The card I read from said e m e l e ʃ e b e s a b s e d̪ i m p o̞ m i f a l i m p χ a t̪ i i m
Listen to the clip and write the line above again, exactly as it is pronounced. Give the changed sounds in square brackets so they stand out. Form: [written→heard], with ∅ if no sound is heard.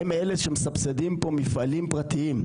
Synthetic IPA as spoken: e m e l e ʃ e [b→m] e s a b s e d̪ i m p o̞ m i f a l i m p [χ→ʁ] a t̪ i i m

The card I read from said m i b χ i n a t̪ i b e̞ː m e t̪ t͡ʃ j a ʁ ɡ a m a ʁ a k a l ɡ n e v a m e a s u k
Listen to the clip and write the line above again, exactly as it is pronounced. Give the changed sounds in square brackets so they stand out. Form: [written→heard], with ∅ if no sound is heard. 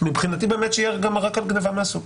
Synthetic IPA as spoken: m i b χ i n a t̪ i b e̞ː m e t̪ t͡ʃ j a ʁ ɡ a m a ʁ a k a l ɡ n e v a m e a s u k

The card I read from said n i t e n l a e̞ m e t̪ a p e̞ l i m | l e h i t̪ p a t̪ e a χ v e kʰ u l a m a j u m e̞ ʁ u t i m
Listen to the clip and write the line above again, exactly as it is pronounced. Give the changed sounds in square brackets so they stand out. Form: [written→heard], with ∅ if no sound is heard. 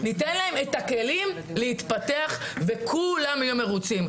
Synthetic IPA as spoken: n i t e n l a e̞ m e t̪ a [p→k] e̞ l i m | l e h i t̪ p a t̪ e a χ v e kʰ u l a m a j u m e̞ ʁ u [t→t͡s] i m

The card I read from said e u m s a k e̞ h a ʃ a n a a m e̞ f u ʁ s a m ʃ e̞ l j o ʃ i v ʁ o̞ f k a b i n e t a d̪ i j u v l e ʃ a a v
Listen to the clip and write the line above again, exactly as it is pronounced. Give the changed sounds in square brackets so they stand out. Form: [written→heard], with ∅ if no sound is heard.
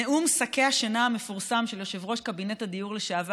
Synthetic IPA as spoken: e u m s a k e̞ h a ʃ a n a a m e̞ f u ʁ s a m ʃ e̞ l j o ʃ [i→e] v ʁ o̞ [f→ʃ] k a b i n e t a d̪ i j u [v→ʁ] l e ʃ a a v

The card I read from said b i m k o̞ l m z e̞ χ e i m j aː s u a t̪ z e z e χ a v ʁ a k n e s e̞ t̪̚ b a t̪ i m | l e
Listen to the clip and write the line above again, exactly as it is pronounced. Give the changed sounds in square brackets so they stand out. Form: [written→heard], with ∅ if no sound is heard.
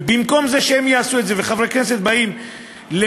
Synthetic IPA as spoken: b i m k o̞ [l→∅] m z e̞ [χ→ʃ] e [i→e] m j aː s u [a→e] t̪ z e [z→v] e χ a v ʁ [a→e] k n e s e̞ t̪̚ b a [t̪→∅] i m | l e

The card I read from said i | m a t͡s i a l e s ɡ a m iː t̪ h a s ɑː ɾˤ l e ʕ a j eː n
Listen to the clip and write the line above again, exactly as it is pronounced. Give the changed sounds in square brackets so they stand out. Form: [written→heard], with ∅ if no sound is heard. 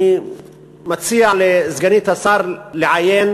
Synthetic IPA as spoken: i | m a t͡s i a l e [s→z] ɡ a [m→n] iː t̪ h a s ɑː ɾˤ l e ʕ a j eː n

